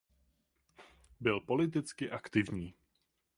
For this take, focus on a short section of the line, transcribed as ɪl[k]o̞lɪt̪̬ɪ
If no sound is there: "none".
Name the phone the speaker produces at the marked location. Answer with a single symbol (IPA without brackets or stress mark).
p